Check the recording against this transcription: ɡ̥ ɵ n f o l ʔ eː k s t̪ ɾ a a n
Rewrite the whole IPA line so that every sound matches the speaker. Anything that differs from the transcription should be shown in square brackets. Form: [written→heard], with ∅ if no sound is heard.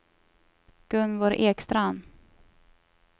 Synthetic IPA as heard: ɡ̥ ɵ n [f→v] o [l→ɾ] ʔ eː k s t̪ ɾ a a n